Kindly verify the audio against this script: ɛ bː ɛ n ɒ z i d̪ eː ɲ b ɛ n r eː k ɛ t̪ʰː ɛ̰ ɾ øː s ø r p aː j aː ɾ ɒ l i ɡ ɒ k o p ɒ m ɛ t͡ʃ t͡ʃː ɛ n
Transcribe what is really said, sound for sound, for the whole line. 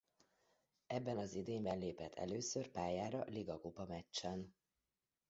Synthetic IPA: ɛ bː ɛ n ɒ z i d̪ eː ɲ b ɛ n l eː p ɛ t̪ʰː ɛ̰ l øː s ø r p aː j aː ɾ ɒ l i ɡ ɒ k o p ɒ m ɛ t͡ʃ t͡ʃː ɛ n